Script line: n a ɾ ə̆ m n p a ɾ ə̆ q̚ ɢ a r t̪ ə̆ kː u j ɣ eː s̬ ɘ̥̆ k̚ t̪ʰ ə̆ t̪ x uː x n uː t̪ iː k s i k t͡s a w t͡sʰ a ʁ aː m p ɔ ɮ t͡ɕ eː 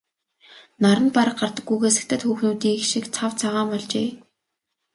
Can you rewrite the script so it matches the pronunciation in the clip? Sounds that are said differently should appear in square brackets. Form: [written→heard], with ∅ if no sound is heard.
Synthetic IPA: n a ɾ ə̆ [m→∅] n p a ɾ ə̆ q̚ ɢ a r t̪ ə̆ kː u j ɣ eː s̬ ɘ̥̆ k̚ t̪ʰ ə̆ t̪ x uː x n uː t̪ iː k [s→ʃ] i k [t͡s→t͡sʰ] a w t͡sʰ a ʁ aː m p ɔ ɮ t͡ɕ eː